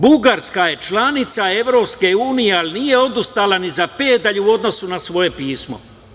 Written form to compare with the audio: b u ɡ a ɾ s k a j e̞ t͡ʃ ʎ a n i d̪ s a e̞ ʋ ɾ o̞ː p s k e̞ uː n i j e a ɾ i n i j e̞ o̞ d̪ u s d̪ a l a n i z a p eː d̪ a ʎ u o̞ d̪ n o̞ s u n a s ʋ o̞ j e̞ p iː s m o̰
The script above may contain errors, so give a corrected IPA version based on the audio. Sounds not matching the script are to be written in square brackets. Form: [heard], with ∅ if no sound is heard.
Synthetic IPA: b u ɡ a ɾ s k a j e̞ t͡ʃ [l] a n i [t̪] s a e̞ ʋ ɾ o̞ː p s k e̞ uː n i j e a [l] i n i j e̞ o̞ d̪ u s [t̪] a l a n i z a p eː d̪ a ʎ u o̞ d̪ n o̞ s u n a s ʋ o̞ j e̞ p iː s m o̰

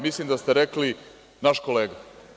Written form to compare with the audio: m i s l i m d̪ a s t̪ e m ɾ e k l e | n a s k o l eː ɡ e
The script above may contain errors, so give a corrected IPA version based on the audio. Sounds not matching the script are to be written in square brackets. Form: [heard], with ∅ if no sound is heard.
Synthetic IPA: m i s l i m d̪ a s t̪ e [∅] ɾ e k l [i] | n a [ʃ] k o l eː ɡ [a]

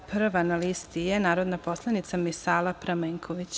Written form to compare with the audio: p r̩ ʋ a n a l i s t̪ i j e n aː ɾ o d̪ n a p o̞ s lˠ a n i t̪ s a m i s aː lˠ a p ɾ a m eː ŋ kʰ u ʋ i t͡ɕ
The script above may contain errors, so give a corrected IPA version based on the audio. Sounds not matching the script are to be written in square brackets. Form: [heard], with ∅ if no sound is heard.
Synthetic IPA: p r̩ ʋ a n a l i s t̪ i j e n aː ɾ o d̪ n a p o̞ s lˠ a n i t̪ s a m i s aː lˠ a p ɾ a m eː ŋ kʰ [o] ʋ i t͡ɕ

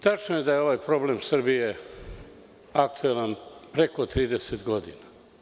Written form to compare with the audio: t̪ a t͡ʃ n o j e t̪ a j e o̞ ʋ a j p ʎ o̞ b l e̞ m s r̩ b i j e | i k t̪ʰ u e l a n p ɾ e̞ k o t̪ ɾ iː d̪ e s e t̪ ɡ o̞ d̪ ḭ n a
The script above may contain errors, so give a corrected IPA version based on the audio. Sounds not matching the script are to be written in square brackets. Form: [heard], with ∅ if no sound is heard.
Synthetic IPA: t̪ a t͡ʃ n o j e [d̪] a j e o̞ ʋ a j p [ɾ] o̞ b l e̞ m s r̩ b i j e | [a] k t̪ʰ u e l a n p ɾ e̞ k o t̪ ɾ iː d̪ e s e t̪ ɡ o̞ d̪ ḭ n a

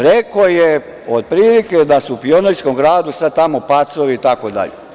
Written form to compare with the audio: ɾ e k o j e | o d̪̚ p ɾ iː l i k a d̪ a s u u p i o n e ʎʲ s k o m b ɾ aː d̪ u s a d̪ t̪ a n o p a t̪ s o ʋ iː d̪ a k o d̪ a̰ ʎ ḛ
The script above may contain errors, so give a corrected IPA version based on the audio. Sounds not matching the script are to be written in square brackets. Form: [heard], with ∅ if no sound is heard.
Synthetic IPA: ɾ e k o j e | o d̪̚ p ɾ iː l i k [e] d̪ a s u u p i o n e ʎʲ s k o m [ɡ] ɾ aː d̪ u s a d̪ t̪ a [m] o p a t̪ s o ʋ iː [t̪] a k o d̪ a̰ ʎ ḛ

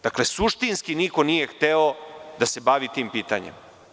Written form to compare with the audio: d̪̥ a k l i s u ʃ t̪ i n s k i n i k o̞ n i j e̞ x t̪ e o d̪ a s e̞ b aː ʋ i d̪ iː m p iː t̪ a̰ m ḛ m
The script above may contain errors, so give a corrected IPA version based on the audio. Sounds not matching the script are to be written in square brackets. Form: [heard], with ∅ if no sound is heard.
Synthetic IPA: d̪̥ a k l [e] s u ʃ t̪ i n s k i n i k o̞ n i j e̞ x t̪ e o d̪ a s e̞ b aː ʋ i [t̪] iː m p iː t̪ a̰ [ɲ] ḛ m

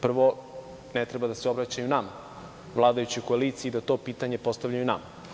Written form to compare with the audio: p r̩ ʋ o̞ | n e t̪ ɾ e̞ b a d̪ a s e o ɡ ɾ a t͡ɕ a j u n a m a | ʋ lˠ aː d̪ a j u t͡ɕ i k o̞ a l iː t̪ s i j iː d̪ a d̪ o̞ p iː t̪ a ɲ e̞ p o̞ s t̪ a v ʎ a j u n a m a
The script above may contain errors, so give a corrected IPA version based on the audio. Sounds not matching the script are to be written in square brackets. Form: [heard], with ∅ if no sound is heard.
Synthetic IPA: p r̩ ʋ o̞ | n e t̪ ɾ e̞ b a d̪ a s e o [b] ɾ a t͡ɕ a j u n a m a | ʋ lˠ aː d̪ a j u t͡ɕ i k o̞ a l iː t̪ s i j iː d̪ a [t̪] o̞ p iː t̪ a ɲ e̞ p o̞ s t̪ a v ʎ a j u n a m a

